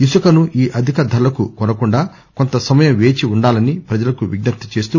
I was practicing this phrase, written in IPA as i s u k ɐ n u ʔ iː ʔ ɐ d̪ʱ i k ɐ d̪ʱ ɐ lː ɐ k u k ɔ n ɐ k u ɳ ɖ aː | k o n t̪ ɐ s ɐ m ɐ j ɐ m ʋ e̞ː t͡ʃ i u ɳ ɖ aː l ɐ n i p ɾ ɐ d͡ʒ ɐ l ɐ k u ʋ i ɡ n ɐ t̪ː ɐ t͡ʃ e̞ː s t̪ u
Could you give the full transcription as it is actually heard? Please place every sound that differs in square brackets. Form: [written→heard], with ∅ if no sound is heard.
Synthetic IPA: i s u k ɐ n u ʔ iː ʔ ɐ d̪ʱ i k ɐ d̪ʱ ɐ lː ɐ k u k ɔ n ɐ k u ɳ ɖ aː | k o n t̪ ɐ s ɐ m ɐ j ɐ m ʋ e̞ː t͡ʃ i u ɳ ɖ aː l ɐ n i p ɾ ɐ d͡ʒ ɐ l ɐ k u ʋ i ɡ n ɐ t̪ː ɐ t͡ʃ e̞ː s t̪ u